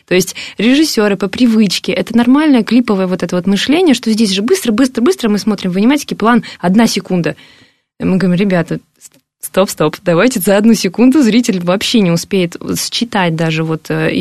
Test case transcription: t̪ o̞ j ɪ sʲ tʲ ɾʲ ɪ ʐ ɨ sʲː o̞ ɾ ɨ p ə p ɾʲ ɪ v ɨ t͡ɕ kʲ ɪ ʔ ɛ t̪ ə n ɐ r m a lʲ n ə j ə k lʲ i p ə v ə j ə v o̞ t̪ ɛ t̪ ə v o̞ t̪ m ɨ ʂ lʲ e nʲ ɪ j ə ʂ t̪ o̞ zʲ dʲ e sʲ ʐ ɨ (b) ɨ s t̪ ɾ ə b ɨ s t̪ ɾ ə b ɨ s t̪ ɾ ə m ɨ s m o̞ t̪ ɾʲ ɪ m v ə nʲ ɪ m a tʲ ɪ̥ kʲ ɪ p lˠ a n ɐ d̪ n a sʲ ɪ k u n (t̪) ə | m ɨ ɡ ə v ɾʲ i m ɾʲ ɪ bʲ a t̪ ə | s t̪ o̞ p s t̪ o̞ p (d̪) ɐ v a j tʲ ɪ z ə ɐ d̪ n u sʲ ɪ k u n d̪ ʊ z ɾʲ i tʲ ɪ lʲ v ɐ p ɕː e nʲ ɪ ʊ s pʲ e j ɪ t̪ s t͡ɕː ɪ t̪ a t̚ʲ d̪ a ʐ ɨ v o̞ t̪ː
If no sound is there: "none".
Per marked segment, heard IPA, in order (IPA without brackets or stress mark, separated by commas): b, d̪, d̪